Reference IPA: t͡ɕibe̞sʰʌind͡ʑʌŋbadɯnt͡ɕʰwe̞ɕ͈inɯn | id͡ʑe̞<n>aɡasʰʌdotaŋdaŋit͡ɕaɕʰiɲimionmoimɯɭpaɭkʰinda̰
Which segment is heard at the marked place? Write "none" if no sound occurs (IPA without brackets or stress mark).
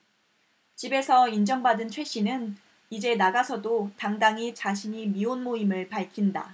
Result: n